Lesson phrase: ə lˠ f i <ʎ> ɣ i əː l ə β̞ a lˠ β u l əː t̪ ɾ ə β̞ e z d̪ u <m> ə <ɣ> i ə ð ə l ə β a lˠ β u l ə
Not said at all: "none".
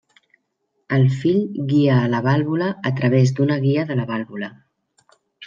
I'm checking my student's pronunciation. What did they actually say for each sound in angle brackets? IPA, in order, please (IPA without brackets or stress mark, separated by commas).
ʎ, n, ɣ